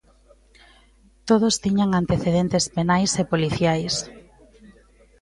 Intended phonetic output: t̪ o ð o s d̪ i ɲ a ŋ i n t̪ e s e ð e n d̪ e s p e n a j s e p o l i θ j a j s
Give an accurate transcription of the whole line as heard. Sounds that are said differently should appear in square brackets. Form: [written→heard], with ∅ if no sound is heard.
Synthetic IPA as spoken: t̪ o ð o s [d̪→t̪] i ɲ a ŋ [i→a] n t̪ e [s→θ] e ð e n [d̪→t̪] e s p e n a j s e p o l i θ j a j s